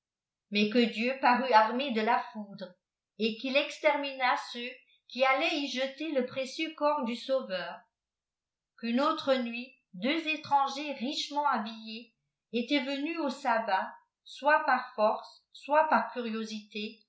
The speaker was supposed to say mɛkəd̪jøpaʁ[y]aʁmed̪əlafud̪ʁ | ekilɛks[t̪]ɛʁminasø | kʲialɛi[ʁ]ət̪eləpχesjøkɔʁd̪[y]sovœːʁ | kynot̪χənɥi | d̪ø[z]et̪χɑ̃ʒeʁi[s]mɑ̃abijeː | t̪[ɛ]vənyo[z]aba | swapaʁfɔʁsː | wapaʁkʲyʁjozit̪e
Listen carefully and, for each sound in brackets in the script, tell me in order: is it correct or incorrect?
correct, correct, incorrect: ʒ, correct, correct, incorrect: ʃ, correct, incorrect: s

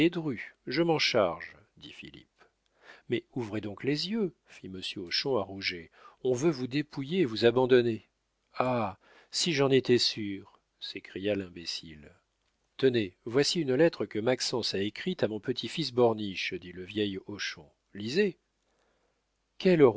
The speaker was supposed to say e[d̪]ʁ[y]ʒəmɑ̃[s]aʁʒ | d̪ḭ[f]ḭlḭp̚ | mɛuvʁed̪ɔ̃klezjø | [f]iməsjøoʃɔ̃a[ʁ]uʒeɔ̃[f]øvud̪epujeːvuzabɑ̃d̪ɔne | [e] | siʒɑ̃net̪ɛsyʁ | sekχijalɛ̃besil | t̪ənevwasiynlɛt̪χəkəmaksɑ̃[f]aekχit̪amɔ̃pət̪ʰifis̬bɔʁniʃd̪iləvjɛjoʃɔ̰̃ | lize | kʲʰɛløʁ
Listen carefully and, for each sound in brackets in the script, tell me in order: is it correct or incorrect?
correct, correct, incorrect: ʃ, correct, correct, correct, incorrect: v, incorrect: a, incorrect: s

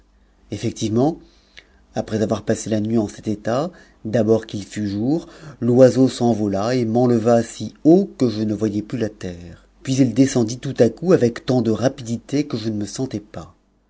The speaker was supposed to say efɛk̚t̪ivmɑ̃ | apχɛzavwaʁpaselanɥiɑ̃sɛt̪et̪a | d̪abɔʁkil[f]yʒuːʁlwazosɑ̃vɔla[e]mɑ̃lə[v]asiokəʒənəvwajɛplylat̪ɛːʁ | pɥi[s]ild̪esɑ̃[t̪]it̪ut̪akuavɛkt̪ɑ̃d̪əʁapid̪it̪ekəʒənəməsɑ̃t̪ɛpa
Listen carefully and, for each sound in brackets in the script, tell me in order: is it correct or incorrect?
correct, correct, correct, incorrect: z, incorrect: d̪

